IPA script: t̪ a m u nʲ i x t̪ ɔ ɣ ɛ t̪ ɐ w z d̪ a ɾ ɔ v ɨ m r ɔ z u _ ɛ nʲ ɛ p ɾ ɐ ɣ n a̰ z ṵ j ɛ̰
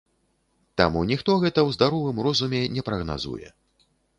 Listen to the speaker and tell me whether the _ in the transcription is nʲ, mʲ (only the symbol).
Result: mʲ